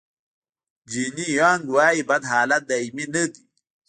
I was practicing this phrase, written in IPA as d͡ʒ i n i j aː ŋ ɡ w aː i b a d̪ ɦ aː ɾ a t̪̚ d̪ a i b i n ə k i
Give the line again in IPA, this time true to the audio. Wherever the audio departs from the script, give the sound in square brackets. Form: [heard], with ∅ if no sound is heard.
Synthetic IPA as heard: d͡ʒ i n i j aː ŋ ɡ w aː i b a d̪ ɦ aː [l] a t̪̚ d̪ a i [m] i n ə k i